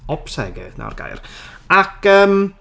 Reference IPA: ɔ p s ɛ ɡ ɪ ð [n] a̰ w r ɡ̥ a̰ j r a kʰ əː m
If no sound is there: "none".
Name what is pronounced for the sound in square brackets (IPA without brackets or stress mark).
n